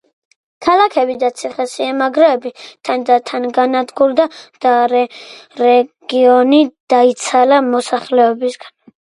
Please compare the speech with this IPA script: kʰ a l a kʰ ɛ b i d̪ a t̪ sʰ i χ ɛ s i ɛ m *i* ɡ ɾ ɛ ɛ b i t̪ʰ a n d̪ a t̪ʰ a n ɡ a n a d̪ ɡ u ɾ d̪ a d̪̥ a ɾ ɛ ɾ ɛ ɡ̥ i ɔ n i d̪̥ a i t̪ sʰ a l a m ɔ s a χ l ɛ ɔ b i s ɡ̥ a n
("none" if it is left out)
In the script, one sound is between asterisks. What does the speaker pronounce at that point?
a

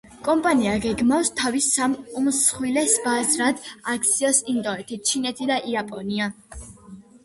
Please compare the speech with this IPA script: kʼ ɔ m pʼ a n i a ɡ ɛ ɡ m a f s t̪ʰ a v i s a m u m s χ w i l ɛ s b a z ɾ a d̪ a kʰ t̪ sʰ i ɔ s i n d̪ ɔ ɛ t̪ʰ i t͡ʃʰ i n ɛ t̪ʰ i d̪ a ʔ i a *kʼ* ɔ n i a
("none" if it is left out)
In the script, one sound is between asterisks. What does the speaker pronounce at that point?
pʼ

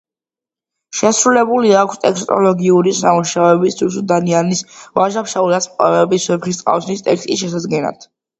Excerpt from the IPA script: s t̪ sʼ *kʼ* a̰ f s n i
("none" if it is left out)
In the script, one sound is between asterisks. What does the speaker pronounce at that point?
qʼ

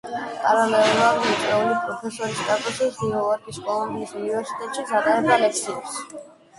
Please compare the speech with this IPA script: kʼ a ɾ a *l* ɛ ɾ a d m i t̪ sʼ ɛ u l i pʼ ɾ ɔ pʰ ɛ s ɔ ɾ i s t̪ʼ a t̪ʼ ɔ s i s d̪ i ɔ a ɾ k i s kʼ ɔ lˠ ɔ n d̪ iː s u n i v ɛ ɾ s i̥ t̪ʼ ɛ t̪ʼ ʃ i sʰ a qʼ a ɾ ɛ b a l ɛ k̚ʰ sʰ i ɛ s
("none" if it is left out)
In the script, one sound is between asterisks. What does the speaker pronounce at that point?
l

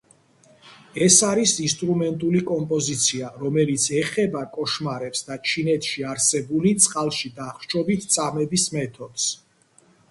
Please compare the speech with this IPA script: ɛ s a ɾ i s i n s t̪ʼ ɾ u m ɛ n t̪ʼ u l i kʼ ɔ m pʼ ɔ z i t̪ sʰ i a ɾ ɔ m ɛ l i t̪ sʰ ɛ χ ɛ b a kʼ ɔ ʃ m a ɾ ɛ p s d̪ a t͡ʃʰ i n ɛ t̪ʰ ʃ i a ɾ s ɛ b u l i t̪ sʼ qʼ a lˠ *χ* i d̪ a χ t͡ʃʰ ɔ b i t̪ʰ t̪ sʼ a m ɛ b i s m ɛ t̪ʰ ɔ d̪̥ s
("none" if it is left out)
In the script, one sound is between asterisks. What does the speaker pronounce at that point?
ʃ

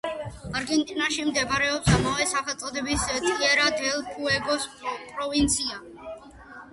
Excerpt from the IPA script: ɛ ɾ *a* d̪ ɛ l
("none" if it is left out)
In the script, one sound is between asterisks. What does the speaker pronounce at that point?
a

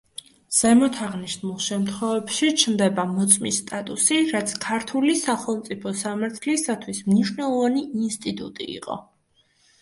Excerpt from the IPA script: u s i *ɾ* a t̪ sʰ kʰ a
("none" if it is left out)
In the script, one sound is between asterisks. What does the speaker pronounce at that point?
ɾ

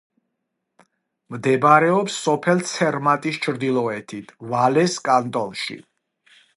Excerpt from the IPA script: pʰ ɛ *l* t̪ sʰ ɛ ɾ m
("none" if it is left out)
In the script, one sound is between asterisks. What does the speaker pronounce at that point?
l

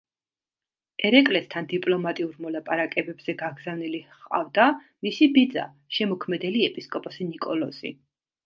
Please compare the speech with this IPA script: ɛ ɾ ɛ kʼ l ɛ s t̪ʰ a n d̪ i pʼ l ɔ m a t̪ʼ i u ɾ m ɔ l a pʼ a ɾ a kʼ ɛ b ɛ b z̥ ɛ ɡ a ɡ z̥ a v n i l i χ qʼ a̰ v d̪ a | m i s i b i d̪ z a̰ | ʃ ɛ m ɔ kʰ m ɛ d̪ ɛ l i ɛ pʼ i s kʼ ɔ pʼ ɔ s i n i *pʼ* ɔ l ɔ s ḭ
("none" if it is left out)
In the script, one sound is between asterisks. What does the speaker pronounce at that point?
kʼ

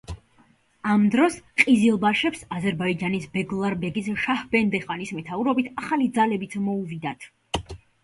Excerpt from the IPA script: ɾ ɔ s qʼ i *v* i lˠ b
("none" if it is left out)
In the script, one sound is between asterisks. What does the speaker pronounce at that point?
z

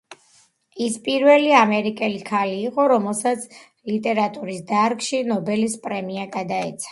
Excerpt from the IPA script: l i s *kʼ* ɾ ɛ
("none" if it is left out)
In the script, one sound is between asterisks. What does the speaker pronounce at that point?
pʼ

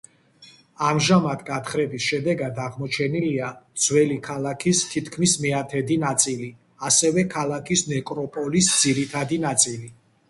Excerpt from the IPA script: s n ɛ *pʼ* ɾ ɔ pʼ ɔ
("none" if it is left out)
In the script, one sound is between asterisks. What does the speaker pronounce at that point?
kʼ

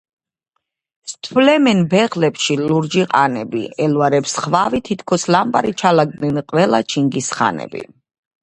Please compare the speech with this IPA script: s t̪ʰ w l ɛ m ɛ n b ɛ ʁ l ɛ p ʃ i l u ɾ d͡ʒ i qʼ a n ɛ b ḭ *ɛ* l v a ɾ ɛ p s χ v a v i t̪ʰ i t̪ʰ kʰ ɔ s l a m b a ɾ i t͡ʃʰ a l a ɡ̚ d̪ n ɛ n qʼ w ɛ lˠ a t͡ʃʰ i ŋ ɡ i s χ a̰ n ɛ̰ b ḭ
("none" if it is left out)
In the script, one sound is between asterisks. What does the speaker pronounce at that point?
ɛ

